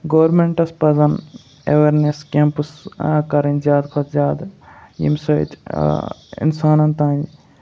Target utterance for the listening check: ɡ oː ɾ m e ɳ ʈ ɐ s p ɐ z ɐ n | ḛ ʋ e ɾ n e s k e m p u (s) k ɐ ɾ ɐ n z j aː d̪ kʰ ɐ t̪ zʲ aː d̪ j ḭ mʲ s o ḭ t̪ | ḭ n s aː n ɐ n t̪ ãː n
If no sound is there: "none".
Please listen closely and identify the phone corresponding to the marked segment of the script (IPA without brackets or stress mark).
s